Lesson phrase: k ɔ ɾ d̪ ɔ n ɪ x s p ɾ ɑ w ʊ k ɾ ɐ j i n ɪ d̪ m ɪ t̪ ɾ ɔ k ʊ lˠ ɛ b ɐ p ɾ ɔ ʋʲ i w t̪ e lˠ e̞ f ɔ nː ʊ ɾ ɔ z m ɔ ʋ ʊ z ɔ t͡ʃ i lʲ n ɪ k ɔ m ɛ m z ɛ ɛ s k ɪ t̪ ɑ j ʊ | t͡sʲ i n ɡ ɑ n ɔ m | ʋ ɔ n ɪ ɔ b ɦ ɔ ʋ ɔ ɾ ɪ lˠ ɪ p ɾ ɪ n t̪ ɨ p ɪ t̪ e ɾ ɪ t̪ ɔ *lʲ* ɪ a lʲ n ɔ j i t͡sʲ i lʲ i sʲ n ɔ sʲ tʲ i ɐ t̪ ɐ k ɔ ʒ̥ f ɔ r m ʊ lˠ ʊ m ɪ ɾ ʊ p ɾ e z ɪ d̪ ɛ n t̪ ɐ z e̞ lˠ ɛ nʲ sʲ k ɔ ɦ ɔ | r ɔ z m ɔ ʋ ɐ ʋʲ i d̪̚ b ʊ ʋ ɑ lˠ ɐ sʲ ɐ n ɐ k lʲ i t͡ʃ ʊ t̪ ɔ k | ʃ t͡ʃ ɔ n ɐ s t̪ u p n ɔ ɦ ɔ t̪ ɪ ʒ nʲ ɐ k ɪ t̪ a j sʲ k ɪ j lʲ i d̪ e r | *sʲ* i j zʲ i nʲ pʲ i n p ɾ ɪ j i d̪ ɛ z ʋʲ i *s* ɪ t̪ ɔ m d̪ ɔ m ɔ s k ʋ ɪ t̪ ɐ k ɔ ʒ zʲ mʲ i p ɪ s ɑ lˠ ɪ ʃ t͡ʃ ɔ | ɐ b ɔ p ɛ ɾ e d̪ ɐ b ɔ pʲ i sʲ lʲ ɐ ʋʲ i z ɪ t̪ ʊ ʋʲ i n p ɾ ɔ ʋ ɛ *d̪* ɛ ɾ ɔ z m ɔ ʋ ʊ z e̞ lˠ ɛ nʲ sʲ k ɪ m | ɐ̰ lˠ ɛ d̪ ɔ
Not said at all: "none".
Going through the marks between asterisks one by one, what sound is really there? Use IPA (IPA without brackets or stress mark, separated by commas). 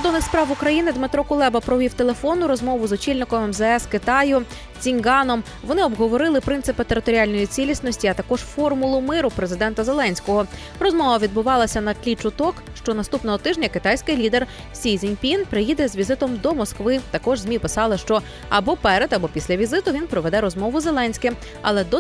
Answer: ɾʲ, sʲ, z, d̪